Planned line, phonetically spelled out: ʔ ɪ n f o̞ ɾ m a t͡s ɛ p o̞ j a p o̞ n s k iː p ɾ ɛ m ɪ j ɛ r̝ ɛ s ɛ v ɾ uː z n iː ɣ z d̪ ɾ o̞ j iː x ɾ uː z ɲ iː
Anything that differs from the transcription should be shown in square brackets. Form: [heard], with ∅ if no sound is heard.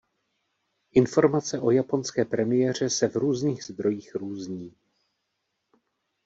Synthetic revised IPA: ʔ ɪ n f o̞ ɾ m a t͡s ɛ [ʔ] o̞ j a p o̞ n s k [ɛː] p ɾ ɛ m ɪ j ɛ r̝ ɛ s ɛ v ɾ uː z n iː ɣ z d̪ ɾ o̞ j iː x ɾ uː z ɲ iː